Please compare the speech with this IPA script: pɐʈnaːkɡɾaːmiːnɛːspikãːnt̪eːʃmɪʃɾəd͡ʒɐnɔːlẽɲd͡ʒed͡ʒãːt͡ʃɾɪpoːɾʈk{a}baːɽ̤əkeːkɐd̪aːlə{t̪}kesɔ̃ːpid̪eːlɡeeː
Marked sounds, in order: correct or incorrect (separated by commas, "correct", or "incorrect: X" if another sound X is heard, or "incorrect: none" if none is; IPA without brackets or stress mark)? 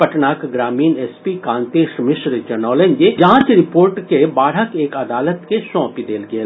incorrect: e, correct